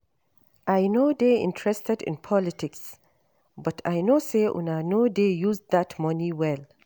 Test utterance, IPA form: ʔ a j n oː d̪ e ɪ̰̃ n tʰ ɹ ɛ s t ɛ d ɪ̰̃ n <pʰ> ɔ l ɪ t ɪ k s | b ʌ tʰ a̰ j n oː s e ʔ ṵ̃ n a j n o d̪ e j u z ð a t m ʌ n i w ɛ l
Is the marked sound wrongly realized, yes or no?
no